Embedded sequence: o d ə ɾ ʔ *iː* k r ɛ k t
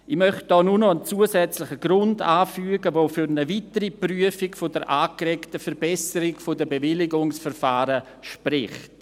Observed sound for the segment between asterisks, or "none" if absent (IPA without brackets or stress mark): aː